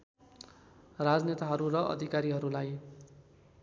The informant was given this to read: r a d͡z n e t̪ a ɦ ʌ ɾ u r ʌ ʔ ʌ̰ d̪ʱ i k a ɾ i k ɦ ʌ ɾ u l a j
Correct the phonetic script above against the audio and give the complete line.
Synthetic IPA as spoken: r a d͡z n e t̪ a ɦ ʌ ɾ u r ʌ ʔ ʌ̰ d̪ʱ i k a ɾ i ɦ ʌ ɾ u l a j